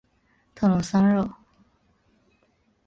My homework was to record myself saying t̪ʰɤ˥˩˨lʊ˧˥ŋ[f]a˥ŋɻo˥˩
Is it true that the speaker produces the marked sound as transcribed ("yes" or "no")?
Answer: no